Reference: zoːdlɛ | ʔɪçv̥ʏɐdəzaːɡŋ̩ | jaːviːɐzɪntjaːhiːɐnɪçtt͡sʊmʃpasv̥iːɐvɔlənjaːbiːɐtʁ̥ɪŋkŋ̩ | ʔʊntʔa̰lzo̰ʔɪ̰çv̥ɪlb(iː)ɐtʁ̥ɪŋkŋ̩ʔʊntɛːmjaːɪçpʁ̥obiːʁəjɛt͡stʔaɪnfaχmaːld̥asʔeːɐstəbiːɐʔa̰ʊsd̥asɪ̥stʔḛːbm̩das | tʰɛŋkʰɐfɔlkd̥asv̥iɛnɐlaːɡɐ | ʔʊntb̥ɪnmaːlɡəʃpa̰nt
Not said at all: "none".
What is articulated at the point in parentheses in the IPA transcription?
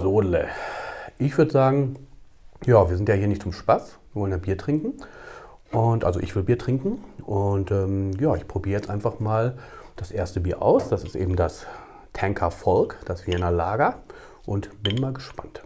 iː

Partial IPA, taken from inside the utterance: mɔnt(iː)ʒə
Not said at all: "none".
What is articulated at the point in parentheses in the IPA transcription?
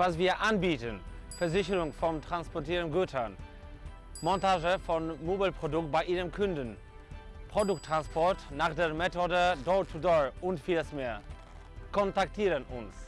aː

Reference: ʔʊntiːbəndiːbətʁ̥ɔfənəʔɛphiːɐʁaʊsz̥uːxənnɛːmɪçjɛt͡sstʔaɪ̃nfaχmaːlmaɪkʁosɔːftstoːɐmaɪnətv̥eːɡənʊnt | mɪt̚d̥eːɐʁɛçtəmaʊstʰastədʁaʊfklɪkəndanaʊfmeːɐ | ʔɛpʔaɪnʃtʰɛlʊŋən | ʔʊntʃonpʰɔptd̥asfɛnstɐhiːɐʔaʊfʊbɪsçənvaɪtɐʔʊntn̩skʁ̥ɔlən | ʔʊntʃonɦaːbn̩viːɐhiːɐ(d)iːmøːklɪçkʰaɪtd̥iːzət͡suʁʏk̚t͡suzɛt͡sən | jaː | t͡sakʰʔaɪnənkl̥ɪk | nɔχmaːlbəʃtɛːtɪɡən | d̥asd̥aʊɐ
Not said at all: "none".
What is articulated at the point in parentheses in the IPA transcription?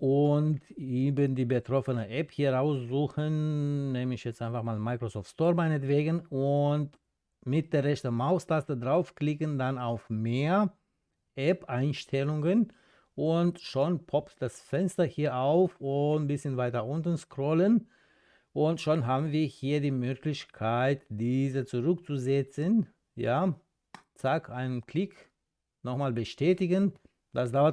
d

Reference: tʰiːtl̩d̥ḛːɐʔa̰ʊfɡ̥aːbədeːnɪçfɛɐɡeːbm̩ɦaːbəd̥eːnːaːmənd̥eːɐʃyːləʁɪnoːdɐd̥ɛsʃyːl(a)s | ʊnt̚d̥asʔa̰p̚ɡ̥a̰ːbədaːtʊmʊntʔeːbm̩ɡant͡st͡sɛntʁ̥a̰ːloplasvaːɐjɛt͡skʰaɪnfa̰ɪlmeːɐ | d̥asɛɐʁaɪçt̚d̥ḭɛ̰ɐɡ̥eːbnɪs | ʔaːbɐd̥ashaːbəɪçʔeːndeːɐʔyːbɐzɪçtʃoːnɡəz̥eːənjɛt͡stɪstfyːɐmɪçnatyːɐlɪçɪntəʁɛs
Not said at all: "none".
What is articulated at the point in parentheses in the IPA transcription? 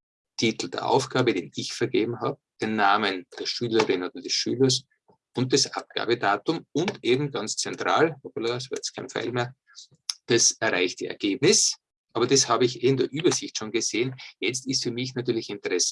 ɐ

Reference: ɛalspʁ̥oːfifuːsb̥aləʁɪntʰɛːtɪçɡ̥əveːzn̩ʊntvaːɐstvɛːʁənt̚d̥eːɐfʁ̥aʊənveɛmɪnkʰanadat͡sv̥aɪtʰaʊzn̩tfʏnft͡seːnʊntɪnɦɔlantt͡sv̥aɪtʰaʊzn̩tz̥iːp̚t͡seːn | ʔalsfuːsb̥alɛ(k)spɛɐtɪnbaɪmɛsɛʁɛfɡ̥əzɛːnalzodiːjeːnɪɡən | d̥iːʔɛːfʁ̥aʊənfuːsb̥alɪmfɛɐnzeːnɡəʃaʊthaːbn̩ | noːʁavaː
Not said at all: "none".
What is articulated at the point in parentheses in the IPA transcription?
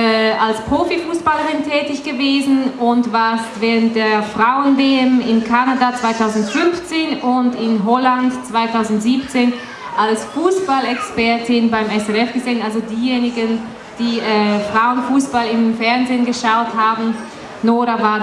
k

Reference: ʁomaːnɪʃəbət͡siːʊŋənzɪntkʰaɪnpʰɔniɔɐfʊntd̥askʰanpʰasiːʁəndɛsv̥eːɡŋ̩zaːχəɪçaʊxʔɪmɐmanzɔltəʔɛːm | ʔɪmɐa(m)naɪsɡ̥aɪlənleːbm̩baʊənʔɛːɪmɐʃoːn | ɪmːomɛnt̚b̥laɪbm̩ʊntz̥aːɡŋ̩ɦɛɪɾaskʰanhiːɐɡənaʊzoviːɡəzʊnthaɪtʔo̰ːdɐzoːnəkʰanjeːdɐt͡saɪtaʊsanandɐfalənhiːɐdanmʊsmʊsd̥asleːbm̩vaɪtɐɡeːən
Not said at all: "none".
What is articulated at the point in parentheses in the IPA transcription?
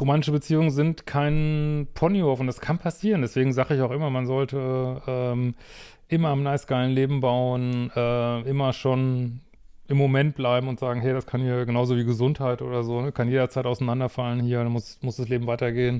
m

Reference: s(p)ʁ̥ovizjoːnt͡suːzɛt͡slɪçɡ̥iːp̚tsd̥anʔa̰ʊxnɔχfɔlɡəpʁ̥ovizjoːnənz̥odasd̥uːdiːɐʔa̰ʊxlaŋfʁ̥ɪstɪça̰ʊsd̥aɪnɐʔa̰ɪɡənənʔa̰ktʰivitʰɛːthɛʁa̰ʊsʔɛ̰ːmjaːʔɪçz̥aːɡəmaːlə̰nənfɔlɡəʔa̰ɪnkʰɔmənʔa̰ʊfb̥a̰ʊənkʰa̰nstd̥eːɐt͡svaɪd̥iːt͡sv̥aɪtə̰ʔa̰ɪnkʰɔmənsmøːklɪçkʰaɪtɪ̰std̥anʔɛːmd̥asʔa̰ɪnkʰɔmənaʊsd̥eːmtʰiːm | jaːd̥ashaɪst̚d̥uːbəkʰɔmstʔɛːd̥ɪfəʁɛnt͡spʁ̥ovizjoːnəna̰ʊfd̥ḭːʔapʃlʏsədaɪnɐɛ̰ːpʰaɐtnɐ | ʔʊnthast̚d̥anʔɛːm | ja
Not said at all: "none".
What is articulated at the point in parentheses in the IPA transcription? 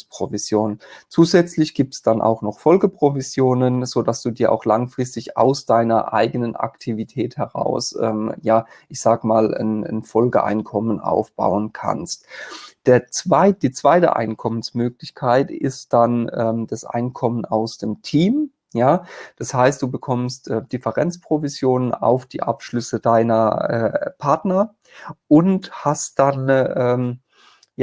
p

